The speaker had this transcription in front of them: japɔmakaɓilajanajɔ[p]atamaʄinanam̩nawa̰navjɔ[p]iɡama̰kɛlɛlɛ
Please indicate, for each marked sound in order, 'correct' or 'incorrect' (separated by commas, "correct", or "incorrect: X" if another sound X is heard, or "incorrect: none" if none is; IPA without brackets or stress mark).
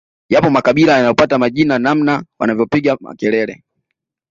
correct, correct